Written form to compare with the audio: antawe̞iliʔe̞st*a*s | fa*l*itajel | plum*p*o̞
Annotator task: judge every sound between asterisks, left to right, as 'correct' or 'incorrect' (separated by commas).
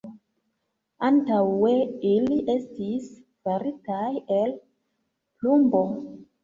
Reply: incorrect, incorrect, incorrect